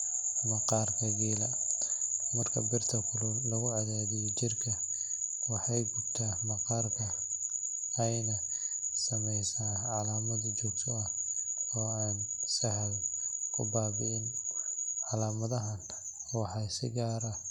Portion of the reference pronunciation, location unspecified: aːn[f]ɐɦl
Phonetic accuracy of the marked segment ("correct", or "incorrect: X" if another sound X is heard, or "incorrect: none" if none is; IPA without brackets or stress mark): incorrect: s